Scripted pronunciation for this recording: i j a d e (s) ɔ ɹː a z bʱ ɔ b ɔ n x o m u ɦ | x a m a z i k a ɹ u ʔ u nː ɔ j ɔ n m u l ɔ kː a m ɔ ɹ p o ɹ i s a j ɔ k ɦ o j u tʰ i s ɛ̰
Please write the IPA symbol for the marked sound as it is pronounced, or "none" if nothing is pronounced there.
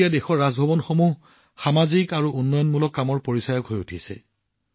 x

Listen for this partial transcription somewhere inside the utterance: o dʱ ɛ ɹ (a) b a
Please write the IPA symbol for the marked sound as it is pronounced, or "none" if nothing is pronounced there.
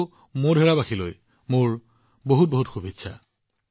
a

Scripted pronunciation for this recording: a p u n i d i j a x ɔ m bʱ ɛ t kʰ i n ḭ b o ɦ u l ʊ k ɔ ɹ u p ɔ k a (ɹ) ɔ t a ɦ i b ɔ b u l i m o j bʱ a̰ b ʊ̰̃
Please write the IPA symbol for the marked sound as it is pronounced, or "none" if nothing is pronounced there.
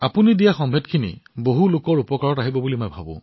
ɹ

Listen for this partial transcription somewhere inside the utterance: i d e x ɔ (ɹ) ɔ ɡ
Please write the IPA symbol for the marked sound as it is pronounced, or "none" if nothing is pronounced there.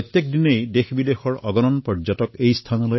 ɹ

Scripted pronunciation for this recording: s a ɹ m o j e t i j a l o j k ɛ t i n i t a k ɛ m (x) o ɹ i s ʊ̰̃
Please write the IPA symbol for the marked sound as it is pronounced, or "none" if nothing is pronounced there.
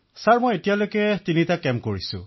k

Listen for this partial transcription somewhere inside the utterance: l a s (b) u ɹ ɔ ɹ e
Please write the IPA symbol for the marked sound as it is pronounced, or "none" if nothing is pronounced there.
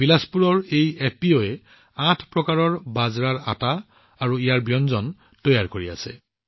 p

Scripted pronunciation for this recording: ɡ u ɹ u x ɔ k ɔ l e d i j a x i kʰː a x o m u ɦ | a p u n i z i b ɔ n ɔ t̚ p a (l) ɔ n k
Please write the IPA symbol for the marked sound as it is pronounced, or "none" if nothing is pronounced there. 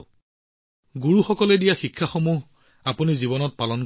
l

